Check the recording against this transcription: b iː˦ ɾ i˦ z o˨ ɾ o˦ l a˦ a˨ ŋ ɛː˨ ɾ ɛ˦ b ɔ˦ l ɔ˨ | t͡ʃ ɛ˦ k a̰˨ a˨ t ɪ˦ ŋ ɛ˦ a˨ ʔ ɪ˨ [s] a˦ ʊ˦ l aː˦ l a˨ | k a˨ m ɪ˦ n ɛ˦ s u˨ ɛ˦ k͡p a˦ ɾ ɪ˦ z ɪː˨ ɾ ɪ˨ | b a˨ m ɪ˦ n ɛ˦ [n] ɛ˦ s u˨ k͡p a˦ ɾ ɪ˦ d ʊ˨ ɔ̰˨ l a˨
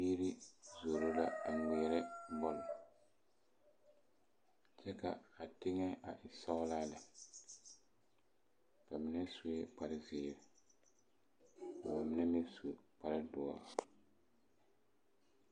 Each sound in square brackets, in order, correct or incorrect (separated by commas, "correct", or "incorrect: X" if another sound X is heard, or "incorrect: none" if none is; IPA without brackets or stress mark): correct, incorrect: m